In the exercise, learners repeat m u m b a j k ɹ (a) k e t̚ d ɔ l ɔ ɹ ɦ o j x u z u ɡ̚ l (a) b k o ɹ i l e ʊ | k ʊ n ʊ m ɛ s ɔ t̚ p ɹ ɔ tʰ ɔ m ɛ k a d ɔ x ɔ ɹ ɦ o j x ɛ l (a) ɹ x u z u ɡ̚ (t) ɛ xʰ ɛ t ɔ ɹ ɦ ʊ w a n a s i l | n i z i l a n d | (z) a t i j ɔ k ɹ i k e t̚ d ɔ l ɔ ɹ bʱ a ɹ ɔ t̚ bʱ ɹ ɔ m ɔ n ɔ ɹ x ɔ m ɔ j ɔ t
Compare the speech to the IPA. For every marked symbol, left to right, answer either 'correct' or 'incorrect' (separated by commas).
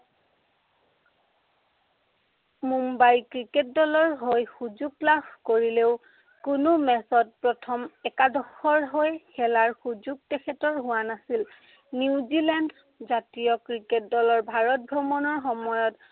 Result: incorrect, correct, correct, correct, correct